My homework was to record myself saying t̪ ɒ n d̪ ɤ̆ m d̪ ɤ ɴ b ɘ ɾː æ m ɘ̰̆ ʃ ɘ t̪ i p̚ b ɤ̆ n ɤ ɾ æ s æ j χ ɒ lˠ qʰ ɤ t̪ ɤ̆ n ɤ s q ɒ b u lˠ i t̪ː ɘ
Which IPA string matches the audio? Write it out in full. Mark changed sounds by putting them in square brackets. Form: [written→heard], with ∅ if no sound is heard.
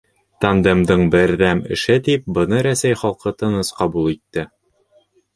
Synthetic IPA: t̪ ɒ n d̪ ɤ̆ m d̪ ɤ ɴ b ɘ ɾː æ m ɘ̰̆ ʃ ɘ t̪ i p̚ b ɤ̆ n ɤ ɾ æ s æ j χ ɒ lˠ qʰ ɤ t̪ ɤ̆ n ɤ s q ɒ b u lˠ i t̪ː ɘ